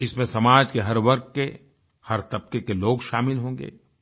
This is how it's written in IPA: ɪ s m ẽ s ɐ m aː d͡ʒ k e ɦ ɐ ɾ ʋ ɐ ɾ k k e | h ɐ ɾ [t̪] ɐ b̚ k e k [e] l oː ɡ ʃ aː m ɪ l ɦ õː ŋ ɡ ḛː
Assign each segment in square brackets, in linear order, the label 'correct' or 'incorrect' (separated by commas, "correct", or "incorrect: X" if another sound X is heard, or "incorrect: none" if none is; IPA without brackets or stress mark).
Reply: correct, correct